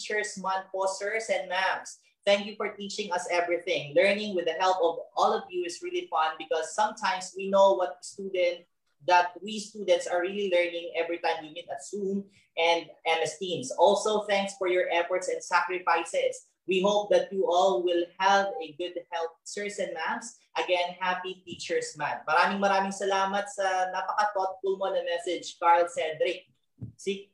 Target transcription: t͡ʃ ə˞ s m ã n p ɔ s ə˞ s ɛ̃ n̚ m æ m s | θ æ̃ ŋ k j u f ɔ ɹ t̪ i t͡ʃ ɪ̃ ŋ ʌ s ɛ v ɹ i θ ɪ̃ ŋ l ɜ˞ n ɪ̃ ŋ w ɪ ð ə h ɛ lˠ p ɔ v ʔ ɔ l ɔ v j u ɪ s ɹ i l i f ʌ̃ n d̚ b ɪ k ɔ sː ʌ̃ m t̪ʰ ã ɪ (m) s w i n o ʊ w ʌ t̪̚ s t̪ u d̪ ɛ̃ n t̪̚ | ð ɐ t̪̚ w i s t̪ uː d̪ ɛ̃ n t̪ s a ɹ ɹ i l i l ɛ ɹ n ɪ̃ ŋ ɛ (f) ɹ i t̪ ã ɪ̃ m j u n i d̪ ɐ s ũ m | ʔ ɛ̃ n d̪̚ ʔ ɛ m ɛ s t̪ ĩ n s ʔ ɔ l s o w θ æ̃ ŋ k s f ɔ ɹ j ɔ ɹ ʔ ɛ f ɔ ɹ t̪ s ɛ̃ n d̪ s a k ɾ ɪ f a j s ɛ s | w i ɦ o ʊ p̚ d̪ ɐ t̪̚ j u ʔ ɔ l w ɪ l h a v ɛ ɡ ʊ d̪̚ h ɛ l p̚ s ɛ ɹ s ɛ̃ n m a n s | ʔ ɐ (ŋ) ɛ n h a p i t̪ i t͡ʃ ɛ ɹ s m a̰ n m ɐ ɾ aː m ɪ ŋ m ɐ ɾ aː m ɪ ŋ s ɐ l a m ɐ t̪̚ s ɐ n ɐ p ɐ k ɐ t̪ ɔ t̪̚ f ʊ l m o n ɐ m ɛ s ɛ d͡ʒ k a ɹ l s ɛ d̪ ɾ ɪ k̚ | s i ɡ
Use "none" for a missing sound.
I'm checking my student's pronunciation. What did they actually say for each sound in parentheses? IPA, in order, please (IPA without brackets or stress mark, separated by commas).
m, v, ɡ